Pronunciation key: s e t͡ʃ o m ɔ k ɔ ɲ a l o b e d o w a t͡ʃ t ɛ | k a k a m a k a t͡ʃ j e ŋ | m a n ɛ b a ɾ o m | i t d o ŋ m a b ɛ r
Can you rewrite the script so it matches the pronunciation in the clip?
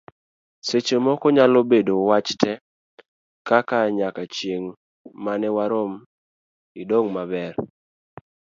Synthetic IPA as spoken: s e t͡ʃ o m ɔ k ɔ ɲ a l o b e d o w a t͡ʃ t ɛ | k a k a ɲ a k a t͡ʃ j e ŋ | m a n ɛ w a ɾ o m | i d o ŋ m a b ɛ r